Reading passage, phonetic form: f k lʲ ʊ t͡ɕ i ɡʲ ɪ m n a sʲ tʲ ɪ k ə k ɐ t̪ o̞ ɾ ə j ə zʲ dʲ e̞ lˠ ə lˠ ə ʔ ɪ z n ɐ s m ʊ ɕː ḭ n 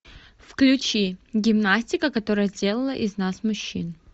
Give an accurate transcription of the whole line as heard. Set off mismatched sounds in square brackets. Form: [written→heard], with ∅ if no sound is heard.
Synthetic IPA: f k lʲ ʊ t͡ɕ i ɡʲ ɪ m n a sʲ tʲ ɪ k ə k ɐ t̪ o̞ ɾ ə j ə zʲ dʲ e̞ lˠ ə lˠ ə ʔ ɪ z n [ɐ→a] s m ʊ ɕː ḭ n